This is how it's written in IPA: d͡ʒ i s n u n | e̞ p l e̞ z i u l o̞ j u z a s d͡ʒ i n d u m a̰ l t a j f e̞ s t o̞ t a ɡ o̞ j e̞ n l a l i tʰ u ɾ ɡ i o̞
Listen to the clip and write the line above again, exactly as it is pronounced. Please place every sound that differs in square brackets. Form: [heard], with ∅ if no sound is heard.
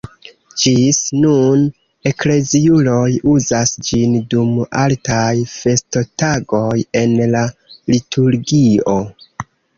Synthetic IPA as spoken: d͡ʒ i s n u n | e̞ [k] l e̞ z i u l o̞ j u z a s d͡ʒ i n d u m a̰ l t a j f e̞ s t o̞ t a ɡ o̞ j e̞ n l a l i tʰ u ɾ ɡ i o̞